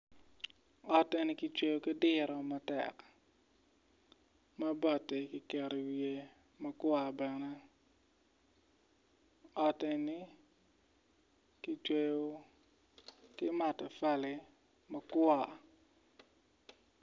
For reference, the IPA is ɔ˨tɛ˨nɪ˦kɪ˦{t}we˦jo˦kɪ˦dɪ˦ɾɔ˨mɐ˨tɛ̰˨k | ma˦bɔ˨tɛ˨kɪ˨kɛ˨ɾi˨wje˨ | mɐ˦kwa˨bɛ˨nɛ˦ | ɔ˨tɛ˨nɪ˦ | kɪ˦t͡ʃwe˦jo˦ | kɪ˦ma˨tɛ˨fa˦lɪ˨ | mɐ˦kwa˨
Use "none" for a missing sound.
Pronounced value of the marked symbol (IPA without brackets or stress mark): t͡ʃ